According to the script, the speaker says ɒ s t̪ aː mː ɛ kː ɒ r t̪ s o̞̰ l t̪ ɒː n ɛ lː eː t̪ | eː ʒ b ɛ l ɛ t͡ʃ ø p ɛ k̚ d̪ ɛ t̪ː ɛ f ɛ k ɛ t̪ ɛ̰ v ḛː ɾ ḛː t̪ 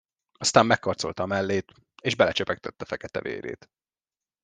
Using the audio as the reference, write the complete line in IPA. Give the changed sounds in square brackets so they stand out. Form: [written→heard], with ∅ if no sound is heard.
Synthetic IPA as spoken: ɒ s t̪ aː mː ɛ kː ɒ r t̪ s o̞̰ l t̪ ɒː [n→m] ɛ lː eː t̪ | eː ʒ b ɛ l ɛ t͡ʃ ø p ɛ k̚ [d̪→t̪] ɛ t̪ː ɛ f ɛ k ɛ t̪ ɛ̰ v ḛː ɾ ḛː t̪